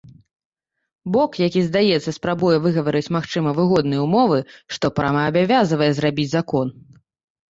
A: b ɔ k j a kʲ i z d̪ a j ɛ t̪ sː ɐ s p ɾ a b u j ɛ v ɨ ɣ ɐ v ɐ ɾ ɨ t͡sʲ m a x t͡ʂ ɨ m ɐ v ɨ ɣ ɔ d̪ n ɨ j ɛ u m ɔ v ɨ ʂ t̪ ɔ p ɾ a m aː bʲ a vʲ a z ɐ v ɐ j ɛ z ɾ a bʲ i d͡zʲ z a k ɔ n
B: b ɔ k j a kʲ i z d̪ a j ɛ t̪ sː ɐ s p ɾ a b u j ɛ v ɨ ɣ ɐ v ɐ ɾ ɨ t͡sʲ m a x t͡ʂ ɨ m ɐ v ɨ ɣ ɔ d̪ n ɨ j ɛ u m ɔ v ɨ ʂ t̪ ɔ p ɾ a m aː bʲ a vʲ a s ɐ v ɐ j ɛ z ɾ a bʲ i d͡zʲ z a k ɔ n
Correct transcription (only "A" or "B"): A